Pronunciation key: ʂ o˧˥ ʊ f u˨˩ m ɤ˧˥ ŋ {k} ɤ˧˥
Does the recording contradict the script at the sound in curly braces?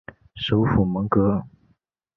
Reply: no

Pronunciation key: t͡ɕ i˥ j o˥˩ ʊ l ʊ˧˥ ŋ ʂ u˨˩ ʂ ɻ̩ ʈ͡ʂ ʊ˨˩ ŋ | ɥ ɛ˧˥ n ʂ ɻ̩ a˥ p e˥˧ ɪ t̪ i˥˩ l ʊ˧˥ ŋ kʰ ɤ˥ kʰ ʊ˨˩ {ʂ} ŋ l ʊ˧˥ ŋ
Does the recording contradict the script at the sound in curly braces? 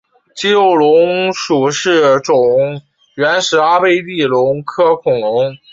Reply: yes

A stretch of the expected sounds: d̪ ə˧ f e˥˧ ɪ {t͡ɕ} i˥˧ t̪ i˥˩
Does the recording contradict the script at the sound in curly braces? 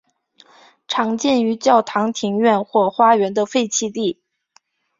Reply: yes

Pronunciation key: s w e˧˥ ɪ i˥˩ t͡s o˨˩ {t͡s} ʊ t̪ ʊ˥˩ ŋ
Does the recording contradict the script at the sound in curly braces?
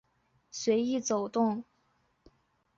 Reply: yes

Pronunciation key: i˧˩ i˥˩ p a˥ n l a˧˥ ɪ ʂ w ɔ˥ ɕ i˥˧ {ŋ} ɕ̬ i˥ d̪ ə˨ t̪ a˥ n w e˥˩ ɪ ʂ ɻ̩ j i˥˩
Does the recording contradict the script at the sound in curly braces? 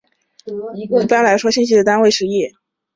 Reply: yes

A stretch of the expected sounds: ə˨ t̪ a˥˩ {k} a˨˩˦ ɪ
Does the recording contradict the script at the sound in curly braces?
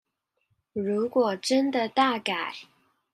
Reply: no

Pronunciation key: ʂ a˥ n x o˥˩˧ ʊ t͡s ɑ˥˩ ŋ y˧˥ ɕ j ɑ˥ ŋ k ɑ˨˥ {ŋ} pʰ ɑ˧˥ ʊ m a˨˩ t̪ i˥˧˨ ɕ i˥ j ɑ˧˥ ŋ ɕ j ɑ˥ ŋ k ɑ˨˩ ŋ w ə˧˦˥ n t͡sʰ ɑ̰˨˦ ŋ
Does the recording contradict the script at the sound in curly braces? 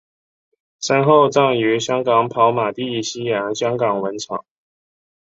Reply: no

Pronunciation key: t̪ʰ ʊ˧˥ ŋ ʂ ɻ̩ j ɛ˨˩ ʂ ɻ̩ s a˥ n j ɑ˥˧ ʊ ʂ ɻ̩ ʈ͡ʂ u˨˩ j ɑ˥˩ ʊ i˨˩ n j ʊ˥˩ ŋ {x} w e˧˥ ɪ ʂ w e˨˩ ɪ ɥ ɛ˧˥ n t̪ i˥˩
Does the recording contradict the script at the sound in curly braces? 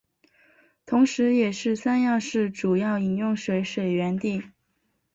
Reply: yes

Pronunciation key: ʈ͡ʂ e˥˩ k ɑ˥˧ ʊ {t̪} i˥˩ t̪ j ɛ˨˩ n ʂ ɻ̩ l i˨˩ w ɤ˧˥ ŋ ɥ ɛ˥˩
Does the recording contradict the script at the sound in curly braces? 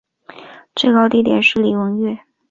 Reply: no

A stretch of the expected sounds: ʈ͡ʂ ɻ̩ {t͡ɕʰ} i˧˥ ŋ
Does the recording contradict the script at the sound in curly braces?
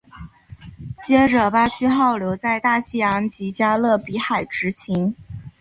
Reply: no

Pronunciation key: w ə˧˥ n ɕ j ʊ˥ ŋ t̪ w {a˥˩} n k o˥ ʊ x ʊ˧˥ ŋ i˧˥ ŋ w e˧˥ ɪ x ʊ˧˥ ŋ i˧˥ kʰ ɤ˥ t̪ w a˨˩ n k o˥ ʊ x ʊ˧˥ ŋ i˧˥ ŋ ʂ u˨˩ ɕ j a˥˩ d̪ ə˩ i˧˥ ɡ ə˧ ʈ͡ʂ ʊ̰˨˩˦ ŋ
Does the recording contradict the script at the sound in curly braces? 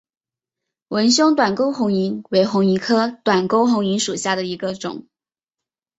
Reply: yes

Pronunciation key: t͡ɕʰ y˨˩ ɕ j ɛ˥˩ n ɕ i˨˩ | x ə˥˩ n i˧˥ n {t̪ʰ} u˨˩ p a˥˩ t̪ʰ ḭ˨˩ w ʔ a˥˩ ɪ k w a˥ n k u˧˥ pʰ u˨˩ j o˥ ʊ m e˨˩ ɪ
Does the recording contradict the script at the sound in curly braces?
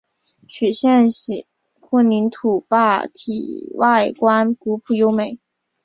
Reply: no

